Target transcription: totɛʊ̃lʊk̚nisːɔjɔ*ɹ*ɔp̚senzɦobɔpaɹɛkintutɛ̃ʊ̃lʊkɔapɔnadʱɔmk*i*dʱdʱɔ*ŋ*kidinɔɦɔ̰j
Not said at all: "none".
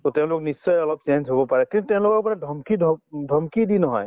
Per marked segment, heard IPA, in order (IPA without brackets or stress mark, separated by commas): l, i, m